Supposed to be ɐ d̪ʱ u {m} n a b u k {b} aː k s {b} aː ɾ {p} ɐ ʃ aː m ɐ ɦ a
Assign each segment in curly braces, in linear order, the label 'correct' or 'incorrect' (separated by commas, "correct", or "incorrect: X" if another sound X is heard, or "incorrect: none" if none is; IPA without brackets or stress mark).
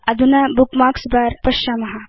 incorrect: none, incorrect: m, correct, correct